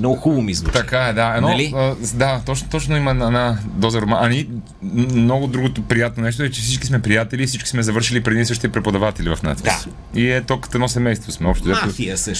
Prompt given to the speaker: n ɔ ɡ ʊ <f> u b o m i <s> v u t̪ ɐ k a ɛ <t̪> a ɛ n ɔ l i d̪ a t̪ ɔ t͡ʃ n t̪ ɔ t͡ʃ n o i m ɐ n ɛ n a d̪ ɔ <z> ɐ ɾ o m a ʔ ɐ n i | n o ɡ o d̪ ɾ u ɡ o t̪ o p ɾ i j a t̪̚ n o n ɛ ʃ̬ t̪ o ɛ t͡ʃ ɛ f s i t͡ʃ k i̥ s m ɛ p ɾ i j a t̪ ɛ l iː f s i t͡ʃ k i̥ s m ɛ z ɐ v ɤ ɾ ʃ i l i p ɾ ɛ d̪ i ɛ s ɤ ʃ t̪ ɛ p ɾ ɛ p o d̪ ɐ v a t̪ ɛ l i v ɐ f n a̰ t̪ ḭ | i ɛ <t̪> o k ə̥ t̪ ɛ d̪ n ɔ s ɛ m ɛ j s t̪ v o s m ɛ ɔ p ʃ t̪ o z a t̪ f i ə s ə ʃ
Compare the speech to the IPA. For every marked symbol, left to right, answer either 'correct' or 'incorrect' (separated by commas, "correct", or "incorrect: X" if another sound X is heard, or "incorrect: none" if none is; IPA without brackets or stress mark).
incorrect: x, incorrect: z, incorrect: d̪, correct, correct